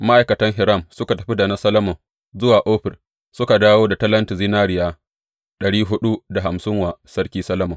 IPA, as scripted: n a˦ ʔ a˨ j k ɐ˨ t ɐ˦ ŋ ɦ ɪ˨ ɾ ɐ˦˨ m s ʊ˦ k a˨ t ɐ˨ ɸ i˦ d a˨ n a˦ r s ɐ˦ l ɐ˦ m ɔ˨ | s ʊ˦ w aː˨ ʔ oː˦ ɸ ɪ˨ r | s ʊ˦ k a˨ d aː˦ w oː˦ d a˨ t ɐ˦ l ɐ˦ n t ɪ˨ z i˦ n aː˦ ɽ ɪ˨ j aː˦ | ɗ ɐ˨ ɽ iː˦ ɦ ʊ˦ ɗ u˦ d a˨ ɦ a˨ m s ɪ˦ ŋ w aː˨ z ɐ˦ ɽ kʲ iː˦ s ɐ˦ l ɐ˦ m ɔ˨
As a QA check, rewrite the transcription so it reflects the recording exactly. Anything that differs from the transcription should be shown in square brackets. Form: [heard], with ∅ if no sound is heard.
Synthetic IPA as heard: [m] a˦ ʔ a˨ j k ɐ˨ t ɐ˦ ŋ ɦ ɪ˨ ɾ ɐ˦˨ m s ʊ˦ k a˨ t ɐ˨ ɸ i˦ d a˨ n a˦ [∅] s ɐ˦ l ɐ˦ m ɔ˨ | [z] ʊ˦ w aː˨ ʔ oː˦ ɸ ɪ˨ r | s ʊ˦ k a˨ d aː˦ w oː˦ d a˨ t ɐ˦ l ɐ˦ n t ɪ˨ z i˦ n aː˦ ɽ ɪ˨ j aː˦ | ɗ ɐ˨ ɽ iː˦ ɦ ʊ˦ ɗ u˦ d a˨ ɦ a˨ m s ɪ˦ ŋ w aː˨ [s] ɐ˦ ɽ kʲ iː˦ s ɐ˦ l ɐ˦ m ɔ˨